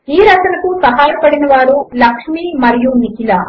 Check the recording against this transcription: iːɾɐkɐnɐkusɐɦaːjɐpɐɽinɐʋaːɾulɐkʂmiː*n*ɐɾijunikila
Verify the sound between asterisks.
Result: incorrect: m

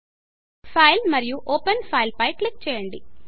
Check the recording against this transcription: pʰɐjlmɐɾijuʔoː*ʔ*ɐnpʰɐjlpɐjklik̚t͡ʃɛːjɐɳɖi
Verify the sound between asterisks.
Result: incorrect: p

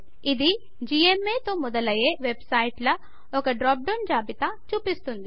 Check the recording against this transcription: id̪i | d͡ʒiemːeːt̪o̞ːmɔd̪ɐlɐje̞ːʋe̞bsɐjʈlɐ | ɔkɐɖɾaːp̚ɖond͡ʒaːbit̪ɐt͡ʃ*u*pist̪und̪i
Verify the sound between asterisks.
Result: incorrect: uː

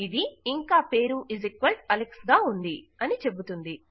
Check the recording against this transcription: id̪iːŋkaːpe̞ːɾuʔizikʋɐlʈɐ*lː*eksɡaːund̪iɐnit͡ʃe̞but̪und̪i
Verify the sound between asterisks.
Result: incorrect: l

